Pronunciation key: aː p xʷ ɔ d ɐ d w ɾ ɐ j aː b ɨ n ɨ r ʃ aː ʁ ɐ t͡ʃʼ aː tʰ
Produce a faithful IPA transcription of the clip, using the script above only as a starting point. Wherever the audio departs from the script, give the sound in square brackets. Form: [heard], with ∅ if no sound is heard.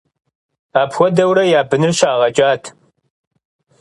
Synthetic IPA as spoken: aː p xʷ ɔ d ɐ [∅] w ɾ ɐ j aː b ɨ n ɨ r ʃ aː ʁ ɐ t͡ʃʼ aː tʰ